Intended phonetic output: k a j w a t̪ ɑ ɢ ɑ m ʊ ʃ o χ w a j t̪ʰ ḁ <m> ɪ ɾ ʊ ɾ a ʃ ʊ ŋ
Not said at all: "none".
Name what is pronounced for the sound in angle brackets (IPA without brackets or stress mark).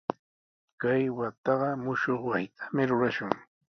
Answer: m